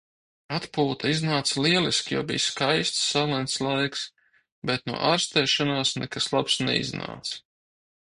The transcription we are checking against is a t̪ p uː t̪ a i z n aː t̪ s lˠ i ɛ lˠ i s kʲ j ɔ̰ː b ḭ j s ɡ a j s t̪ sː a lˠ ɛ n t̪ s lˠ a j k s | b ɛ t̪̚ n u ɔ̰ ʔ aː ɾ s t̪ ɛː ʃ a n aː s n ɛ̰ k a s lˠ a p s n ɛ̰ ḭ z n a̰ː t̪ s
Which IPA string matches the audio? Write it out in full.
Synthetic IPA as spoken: a t̪ p uː t̪ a i z n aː t̪ s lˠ i ɛ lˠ i s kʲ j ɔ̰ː b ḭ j s k a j s t̪ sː a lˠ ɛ n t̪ s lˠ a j k s | b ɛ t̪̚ n u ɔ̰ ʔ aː ɾ s t̪ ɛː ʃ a n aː s n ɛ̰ k a s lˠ a p s n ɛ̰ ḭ z n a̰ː t̪ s